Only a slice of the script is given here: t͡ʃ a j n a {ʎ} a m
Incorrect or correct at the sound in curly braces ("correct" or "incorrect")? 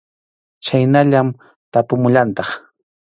correct